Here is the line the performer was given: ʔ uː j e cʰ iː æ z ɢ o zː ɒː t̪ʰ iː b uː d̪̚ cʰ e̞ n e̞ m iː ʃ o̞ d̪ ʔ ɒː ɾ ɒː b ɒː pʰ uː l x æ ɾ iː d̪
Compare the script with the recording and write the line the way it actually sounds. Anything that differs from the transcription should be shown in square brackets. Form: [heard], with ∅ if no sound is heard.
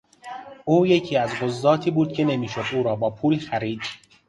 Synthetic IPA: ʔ uː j e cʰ iː æ z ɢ o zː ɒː t̪ʰ iː b uː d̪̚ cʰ e̞ n e̞ m iː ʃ o̞ d̪ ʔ [uː] ɾ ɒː b ɒː pʰ uː l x æ ɾ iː d̪